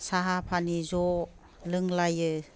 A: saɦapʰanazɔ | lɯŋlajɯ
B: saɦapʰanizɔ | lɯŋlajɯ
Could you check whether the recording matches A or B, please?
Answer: B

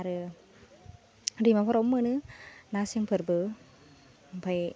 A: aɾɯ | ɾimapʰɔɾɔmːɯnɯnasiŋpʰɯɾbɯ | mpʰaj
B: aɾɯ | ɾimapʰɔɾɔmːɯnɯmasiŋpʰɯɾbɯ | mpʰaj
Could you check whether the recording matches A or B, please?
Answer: A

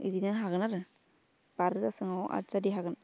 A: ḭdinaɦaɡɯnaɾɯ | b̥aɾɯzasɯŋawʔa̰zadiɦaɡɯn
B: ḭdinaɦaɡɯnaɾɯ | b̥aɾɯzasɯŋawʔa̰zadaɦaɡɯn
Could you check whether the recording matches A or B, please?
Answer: A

